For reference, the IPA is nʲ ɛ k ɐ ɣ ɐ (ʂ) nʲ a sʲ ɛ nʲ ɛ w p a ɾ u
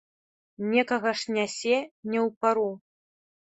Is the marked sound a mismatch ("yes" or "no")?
no